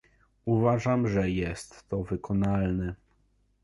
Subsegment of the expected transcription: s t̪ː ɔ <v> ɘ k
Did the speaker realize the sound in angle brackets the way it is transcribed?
yes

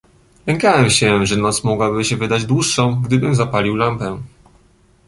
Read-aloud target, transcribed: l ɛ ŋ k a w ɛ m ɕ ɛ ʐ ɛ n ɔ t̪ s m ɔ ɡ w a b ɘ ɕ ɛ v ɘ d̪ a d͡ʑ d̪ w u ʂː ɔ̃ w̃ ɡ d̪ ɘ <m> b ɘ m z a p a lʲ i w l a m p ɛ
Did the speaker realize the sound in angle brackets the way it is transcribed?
no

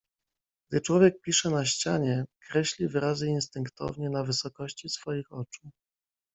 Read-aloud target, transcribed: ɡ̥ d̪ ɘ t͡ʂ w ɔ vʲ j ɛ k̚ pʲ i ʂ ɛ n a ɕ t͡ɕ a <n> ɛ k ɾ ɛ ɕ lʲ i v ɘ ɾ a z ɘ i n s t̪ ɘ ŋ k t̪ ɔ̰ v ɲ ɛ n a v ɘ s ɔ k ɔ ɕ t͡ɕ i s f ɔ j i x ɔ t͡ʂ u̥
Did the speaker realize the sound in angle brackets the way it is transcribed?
no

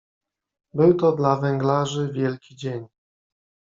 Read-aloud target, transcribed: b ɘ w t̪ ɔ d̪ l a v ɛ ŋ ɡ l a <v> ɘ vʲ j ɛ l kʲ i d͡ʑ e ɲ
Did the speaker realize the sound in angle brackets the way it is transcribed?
no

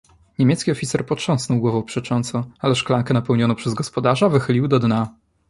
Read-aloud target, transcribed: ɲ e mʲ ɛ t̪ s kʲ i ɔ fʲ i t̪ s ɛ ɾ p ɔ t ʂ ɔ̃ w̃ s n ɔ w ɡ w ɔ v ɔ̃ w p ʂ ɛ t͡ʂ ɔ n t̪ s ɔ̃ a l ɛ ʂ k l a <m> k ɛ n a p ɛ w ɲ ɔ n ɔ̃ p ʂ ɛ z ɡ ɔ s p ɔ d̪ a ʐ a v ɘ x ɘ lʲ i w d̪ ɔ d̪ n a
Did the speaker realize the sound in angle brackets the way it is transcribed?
no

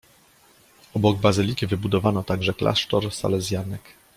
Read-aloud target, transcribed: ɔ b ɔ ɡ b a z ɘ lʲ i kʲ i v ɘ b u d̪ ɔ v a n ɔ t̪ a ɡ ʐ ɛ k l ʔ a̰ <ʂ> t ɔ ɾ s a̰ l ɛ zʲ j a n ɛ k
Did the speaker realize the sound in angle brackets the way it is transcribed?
yes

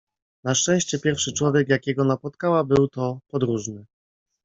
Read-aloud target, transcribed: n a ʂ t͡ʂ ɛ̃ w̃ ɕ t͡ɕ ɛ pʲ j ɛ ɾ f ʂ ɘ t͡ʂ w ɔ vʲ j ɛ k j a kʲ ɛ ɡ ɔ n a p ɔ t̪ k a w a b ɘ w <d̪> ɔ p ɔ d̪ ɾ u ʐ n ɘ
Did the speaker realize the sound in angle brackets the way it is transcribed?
no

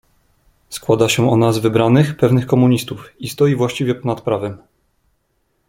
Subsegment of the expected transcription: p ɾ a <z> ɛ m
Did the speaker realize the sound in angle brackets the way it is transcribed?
no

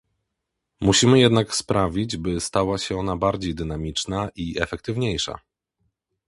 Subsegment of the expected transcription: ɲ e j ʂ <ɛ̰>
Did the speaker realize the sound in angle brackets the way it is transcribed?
no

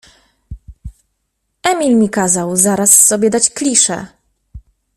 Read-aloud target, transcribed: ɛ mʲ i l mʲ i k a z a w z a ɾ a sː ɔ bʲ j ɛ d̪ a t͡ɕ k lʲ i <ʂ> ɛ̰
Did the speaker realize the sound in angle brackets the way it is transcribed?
yes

